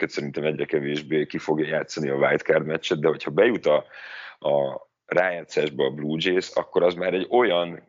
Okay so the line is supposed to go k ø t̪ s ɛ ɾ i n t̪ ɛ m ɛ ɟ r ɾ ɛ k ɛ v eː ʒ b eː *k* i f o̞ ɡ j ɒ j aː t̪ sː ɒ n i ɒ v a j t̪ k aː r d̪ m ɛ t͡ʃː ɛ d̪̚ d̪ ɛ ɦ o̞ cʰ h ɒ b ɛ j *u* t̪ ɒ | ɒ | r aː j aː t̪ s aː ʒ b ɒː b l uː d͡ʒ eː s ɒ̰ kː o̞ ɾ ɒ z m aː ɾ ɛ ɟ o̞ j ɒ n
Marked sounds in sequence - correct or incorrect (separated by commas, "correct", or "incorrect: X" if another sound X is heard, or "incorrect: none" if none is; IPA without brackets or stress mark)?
correct, correct